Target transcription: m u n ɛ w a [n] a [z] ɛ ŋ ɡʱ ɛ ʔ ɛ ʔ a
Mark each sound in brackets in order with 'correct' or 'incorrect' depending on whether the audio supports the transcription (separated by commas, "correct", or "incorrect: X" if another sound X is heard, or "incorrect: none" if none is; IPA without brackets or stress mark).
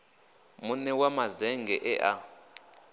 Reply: incorrect: m, correct